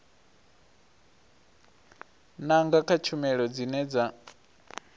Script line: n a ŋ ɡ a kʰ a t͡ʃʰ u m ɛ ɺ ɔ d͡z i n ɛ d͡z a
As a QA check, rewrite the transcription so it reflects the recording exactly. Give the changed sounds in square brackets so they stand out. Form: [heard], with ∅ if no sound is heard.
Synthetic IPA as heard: n a ŋ ɡ a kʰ a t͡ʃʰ u m ɛ ɺ ɔ d͡z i n ɛ d͡z a